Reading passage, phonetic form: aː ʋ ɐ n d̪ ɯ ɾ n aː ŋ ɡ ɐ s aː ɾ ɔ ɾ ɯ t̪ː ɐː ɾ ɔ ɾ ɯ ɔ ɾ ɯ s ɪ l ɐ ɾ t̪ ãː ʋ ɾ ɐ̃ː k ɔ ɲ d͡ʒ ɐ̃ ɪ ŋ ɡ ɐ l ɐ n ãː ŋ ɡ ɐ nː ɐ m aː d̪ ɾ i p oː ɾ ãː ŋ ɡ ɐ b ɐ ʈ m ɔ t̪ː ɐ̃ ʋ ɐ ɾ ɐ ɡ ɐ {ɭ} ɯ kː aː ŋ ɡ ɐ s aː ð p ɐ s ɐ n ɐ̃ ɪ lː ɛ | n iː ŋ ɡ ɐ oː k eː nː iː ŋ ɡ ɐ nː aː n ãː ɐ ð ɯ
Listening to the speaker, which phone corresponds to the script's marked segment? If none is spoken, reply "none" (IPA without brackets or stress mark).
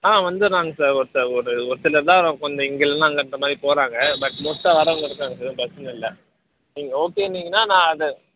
ɽ